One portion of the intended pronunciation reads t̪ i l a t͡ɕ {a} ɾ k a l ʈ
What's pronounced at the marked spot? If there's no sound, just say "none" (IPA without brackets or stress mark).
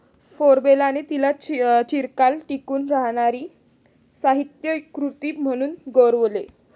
i